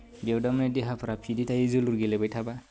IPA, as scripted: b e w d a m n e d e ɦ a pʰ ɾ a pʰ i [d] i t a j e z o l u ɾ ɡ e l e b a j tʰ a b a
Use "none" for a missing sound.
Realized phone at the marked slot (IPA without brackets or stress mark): d